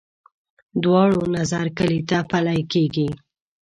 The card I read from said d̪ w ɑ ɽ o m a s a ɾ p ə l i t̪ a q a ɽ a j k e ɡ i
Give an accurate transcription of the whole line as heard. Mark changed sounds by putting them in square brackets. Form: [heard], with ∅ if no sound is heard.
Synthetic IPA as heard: d̪ w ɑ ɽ o [n] a [z] a ɾ [k] ə l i t̪ a [p] a [l] a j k e ɡ i